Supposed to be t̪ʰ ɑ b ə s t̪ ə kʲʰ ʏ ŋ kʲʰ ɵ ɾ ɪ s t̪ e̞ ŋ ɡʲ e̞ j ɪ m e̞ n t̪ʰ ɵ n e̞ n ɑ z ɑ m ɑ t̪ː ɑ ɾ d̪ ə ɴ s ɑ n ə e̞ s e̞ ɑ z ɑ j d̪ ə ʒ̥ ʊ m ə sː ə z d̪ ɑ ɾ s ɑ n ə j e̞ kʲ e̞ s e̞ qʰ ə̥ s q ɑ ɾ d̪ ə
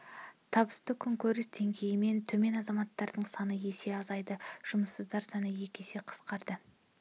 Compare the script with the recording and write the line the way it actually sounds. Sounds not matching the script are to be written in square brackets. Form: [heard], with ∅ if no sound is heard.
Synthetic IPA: t̪ʰ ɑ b ə s t̪ ə kʲʰ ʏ ŋ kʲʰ ɵ ɾ ɪ s [d̪] e̞ ŋ ɡʲ e̞ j ɪ m e̞ n t̪ʰ ɵ [m] e̞ n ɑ z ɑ m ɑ t̪ː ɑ ɾ d̪ ə ɴ s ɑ n ə e̞ s e̞ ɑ z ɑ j d̪ ə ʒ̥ ʊ m ə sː ə z d̪ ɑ ɾ s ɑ n ə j e̞ kʲ e̞ s e̞ qʰ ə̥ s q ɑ ɾ d̪ ə